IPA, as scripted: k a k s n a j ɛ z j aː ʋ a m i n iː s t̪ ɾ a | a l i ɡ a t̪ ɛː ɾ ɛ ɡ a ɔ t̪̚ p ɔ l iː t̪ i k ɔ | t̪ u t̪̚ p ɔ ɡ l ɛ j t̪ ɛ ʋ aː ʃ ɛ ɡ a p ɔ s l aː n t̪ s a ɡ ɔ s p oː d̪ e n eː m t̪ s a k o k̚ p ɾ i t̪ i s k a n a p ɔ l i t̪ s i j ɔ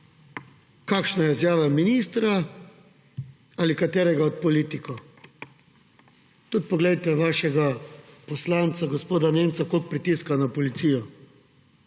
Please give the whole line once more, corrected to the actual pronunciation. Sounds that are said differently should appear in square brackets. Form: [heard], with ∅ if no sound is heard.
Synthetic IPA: k a k [ʃ] n a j ɛ z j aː ʋ a m i n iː s t̪ ɾ a | a l i [k] a t̪ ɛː ɾ ɛ ɡ a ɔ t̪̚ p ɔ l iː t̪ i k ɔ | t̪ u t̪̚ p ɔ ɡ l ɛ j t̪ ɛ ʋ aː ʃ ɛ ɡ a p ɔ s l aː n t̪ s a ɡ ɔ s p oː d̪ [a] n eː m t̪ s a k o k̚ p ɾ i t̪ i s k a n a p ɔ l i t̪ s i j ɔ